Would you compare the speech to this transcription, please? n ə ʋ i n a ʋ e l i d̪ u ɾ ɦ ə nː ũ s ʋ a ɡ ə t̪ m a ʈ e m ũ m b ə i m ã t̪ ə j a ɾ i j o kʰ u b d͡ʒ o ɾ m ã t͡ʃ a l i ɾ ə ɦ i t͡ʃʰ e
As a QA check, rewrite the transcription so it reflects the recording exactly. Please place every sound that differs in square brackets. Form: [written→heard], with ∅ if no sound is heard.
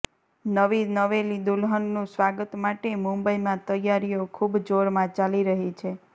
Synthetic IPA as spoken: n ə ʋ i n [a→ə] ʋ e l i d̪ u [ɾ→l] ɦ ə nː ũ s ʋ a ɡ ə t̪ m a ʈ e m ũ m b ə i m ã t̪ ə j a ɾ i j o kʰ u b d͡ʒ o ɾ m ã t͡ʃ a l i ɾ ə ɦ i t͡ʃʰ e